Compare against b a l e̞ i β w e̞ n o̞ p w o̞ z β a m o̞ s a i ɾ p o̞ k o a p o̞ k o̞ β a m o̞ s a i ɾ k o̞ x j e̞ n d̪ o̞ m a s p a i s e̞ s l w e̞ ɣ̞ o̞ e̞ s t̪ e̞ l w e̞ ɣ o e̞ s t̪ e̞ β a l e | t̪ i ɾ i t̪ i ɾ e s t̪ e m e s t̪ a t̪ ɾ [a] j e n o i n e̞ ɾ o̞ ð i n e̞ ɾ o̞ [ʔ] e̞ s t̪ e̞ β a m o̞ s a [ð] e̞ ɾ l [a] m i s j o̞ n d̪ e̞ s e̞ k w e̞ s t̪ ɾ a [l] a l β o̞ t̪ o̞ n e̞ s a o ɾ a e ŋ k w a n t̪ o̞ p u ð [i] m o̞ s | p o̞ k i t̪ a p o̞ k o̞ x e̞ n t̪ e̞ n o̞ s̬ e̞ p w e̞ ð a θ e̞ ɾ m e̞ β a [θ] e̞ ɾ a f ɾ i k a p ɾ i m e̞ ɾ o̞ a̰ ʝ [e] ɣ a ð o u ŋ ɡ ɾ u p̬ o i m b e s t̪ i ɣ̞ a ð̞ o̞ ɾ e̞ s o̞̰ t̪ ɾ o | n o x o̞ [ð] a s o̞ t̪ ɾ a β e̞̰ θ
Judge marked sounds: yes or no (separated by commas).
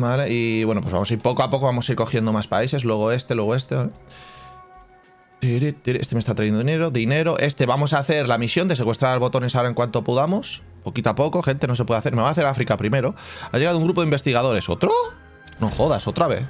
yes, yes, no, yes, no, no, yes, yes, yes